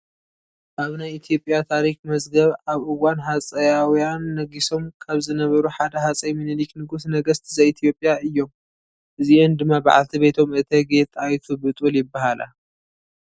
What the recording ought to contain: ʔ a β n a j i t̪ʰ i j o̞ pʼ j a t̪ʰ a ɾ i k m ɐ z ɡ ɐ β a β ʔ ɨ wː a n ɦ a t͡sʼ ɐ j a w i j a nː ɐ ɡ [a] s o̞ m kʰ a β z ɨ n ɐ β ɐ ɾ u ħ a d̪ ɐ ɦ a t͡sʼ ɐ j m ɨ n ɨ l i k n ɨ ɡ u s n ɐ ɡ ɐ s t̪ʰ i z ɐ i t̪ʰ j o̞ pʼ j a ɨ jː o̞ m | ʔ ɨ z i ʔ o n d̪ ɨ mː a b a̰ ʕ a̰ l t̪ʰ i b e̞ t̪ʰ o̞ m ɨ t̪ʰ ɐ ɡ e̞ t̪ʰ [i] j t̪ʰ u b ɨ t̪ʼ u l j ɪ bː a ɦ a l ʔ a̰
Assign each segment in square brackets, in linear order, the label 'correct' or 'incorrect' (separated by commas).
incorrect, incorrect